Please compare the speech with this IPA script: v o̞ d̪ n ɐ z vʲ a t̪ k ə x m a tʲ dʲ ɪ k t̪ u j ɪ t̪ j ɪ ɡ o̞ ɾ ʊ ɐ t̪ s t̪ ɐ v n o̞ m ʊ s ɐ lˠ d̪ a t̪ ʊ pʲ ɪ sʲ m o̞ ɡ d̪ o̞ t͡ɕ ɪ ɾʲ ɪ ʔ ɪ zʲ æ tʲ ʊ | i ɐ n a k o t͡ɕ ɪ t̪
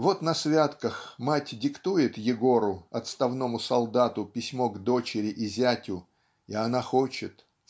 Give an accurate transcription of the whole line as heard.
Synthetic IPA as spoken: v o̞ t̪ n ɐ s vʲ a t̪ k ə x m a tʲ dʲ ɪ k t̪ u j ɪ t̪ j ɪ ɡ o̞ ɾ ʊ ɐ t̪ s t̪ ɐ v n o̞ m ʊ s ɐ lˠ d̪ a t̪ ʊ pʲ ɪ sʲ m o̞ ɡ d̪ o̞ t͡ɕ ɪ ɾʲ ɪ ʔ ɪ zʲ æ tʲ ʊ | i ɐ n a x o t͡ɕ ɪ t̪